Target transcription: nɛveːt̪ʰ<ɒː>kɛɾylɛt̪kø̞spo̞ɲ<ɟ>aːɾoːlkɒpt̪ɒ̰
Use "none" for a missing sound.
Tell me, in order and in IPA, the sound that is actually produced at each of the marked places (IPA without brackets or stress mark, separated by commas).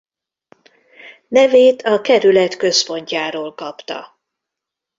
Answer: ɒ, c